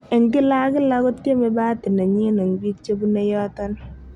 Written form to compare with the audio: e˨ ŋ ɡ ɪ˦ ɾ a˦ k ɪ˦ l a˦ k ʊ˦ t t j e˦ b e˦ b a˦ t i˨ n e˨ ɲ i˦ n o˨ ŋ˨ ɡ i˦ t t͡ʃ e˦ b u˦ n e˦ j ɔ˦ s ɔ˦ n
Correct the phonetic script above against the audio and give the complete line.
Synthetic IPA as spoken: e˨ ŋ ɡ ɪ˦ l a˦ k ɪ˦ l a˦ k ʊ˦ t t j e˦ m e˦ b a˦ t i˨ n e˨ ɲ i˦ n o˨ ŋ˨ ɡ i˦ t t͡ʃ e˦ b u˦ n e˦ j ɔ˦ t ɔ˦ n